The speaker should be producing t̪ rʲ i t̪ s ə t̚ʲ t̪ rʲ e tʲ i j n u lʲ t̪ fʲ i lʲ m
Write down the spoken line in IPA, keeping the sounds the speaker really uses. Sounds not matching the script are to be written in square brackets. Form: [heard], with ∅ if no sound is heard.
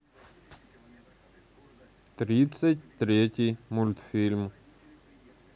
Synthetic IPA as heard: t̪ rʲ i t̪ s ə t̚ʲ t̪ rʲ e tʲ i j [m] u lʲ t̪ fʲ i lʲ m